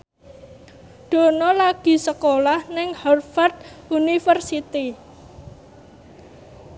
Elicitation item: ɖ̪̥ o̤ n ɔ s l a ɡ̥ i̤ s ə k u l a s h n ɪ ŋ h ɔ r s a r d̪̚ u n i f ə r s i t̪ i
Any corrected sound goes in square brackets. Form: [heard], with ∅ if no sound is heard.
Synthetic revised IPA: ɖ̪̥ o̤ n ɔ [∅] l a ɡ̥ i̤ s ə k [o] l a [∅] h n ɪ ŋ h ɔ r [f] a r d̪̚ u n i f ə r s i t̪ i